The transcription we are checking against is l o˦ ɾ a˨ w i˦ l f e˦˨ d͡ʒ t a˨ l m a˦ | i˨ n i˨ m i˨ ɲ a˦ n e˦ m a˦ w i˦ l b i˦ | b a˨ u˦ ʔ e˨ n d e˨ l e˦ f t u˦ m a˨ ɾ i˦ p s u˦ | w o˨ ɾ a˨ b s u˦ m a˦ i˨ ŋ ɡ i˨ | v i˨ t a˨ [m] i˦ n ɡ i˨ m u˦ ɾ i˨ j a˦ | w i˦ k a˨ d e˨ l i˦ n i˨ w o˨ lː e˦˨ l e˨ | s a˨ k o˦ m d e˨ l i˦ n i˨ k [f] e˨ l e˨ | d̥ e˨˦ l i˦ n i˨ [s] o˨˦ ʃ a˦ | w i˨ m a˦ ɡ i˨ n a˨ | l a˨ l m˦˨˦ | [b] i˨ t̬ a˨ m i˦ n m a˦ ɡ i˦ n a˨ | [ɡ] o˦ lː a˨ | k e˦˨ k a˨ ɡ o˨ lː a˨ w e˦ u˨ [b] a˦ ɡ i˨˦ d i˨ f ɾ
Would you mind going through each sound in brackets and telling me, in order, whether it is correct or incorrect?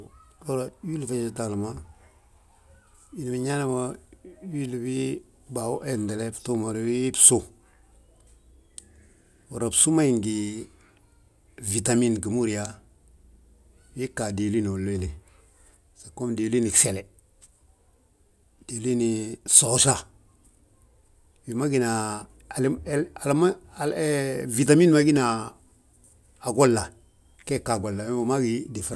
correct, incorrect, correct, incorrect, correct, incorrect

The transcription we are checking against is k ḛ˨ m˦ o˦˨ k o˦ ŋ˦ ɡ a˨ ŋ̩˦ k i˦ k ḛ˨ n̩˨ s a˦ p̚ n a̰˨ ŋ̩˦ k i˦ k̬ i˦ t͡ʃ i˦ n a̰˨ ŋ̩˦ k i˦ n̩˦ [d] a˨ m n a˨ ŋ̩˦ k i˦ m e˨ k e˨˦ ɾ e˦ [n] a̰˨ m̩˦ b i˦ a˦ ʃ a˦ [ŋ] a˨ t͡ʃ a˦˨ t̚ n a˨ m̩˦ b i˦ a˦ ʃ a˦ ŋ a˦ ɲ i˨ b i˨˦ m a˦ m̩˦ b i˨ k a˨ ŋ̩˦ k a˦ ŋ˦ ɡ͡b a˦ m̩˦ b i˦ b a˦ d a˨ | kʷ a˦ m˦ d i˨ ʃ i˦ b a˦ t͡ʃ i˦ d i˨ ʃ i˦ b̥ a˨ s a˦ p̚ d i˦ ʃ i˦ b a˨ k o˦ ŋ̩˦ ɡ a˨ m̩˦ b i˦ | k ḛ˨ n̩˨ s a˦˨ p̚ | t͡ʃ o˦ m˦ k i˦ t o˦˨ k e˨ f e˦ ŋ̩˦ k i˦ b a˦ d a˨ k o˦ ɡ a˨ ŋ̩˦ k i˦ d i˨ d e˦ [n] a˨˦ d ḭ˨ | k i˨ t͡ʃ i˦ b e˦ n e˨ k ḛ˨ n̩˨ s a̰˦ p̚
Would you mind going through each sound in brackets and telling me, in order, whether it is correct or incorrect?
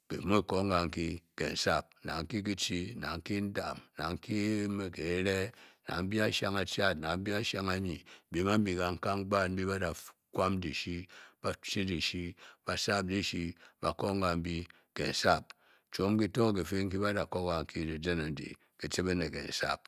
correct, correct, correct, correct

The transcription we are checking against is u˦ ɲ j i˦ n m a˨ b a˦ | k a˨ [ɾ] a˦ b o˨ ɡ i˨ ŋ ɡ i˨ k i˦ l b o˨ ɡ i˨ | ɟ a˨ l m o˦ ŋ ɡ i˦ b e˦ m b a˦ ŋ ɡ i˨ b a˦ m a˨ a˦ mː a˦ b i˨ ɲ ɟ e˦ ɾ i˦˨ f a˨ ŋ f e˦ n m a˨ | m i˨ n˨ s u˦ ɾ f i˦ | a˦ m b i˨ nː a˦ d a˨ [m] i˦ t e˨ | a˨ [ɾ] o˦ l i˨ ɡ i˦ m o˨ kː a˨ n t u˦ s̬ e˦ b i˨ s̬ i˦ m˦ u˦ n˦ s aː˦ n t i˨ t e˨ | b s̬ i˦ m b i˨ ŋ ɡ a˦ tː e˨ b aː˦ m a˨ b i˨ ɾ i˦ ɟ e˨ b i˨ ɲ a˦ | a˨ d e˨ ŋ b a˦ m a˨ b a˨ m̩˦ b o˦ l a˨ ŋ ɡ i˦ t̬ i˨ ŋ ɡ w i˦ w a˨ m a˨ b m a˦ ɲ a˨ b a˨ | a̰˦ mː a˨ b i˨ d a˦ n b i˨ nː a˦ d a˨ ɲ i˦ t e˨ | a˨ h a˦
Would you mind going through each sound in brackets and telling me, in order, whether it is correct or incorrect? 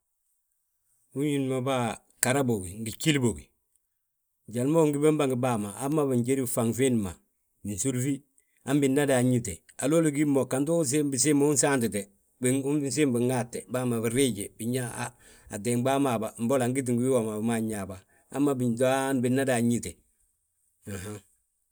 correct, incorrect, incorrect

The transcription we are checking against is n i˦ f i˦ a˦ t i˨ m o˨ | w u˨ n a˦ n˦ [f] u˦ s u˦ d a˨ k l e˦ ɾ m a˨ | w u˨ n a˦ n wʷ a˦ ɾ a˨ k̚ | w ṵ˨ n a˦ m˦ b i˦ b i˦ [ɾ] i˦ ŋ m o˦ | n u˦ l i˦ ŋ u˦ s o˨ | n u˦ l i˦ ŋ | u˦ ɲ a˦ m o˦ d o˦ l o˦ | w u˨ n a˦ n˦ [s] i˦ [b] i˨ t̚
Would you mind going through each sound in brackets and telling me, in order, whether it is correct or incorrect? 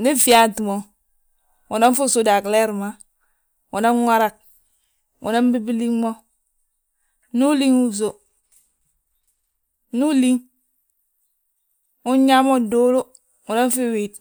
correct, incorrect, incorrect, incorrect

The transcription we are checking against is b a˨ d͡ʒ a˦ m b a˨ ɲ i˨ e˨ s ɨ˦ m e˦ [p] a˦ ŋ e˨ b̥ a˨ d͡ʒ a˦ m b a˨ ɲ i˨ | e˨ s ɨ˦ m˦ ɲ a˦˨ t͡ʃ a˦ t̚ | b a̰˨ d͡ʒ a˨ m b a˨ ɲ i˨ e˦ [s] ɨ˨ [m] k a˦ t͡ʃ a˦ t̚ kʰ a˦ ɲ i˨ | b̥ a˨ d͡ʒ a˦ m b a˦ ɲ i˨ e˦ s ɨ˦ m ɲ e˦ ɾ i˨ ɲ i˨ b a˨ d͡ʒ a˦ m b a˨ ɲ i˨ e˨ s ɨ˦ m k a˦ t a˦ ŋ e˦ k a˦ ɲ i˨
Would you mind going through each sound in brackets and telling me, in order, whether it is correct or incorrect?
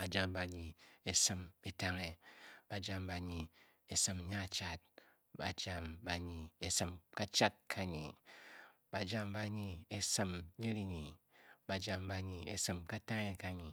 incorrect, correct, correct

